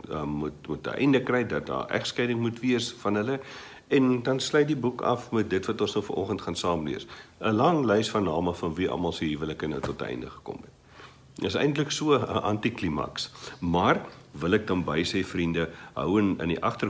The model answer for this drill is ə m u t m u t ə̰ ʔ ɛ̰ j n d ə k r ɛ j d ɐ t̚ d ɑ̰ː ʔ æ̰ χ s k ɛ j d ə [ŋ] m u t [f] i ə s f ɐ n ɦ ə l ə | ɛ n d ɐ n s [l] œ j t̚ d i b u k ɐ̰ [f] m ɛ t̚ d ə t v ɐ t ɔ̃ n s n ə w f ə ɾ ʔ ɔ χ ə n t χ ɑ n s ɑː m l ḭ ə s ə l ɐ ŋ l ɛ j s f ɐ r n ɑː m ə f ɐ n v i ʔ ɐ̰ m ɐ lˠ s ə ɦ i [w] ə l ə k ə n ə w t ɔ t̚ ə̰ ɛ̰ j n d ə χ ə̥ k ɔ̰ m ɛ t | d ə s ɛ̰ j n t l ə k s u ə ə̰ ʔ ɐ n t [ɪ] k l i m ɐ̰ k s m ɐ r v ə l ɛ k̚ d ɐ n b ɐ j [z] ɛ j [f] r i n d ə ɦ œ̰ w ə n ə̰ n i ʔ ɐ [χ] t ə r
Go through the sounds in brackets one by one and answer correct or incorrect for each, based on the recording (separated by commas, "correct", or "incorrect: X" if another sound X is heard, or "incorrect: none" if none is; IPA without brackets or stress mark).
correct, incorrect: v, correct, correct, incorrect: v, incorrect: i, incorrect: s, correct, correct